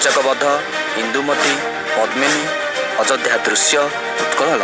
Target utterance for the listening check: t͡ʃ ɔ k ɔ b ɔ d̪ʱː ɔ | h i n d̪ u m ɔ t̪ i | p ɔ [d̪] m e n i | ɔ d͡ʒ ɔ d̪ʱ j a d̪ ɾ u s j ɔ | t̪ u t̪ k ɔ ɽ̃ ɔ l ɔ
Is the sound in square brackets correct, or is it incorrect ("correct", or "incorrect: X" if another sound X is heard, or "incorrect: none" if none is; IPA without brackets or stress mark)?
correct